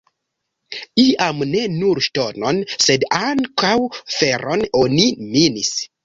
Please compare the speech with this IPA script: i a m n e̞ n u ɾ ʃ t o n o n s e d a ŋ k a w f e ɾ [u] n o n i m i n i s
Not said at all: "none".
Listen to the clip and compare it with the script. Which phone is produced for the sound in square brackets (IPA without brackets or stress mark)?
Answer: o